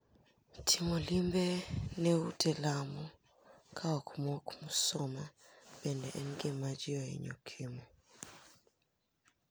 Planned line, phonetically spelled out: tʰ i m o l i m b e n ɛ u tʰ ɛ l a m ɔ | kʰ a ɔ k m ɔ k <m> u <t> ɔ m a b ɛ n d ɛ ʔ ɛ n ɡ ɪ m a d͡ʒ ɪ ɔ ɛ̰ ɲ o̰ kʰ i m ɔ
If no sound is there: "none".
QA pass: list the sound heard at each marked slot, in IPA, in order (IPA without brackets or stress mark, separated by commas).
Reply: m, s